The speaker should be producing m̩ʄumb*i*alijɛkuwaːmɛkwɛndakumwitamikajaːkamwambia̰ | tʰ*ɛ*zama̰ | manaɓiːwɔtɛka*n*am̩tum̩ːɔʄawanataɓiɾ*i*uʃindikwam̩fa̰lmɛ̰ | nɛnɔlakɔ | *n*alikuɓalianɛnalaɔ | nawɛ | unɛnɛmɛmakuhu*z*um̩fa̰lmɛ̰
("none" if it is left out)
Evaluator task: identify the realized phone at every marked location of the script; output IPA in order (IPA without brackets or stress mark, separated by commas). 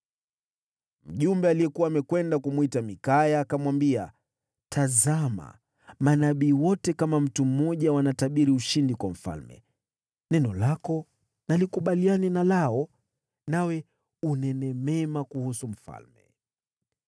ɛ, a, m, i, n, s